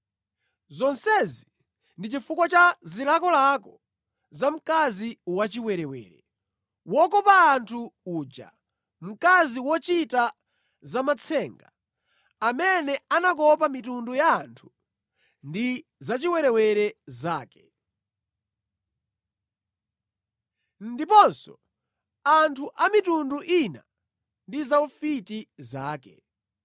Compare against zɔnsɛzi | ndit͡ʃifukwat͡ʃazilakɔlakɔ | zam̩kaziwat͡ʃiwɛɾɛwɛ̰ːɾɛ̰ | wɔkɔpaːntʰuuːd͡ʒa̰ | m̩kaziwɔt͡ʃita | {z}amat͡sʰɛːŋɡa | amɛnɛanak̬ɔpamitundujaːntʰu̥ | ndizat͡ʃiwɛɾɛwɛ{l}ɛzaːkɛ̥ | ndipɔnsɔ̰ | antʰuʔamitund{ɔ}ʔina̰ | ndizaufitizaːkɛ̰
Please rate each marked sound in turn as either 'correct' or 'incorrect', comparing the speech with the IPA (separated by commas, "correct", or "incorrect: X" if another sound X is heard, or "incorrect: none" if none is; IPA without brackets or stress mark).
correct, incorrect: ɾ, incorrect: u